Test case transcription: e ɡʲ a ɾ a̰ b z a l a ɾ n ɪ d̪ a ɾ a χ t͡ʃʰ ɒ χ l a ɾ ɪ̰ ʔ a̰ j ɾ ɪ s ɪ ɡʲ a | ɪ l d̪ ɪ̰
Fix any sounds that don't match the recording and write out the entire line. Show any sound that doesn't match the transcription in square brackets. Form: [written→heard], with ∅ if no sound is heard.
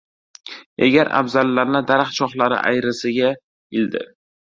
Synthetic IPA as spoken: e ɡʲ a ɾ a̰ b z a [l→lː] a ɾ n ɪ d̪ a ɾ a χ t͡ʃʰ ɒ χ l a ɾ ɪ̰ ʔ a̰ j ɾ ɪ s ɪ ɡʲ a | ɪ l d̪ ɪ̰